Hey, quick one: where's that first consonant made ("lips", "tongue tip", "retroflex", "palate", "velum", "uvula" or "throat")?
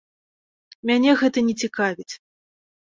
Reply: lips